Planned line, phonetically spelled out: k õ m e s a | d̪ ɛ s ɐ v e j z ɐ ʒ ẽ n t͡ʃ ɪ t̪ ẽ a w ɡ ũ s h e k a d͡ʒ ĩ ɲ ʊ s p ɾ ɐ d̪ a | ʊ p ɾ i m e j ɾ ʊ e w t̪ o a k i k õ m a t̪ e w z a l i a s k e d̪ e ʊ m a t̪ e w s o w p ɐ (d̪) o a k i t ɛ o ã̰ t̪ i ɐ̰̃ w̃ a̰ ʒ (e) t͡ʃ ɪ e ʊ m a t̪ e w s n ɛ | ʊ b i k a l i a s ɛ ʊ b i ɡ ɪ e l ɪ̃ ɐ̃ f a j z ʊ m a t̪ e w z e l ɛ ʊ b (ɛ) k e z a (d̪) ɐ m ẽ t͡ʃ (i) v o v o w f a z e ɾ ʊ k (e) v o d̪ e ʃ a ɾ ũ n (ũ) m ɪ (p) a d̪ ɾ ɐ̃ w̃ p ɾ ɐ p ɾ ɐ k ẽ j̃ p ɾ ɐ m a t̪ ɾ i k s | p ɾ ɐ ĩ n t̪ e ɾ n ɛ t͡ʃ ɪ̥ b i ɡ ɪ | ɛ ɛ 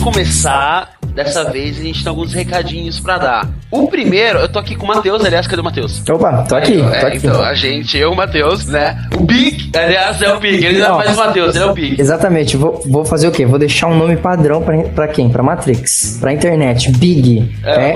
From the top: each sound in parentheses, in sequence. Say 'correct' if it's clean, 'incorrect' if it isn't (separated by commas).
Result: incorrect, incorrect, incorrect, incorrect, incorrect, correct, incorrect, correct